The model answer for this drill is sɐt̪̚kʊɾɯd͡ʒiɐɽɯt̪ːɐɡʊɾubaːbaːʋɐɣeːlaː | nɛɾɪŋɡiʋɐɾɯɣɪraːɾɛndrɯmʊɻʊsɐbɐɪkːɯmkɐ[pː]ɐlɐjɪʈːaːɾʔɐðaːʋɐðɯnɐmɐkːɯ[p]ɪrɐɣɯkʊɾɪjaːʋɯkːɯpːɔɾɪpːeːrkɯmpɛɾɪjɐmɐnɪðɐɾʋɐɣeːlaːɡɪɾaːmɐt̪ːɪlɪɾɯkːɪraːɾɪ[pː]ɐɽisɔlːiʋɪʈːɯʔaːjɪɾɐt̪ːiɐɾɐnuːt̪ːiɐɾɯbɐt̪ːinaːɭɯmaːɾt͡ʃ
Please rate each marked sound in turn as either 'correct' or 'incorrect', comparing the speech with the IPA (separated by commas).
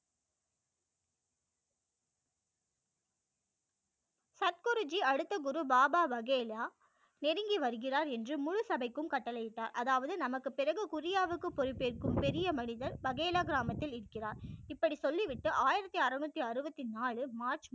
incorrect, correct, correct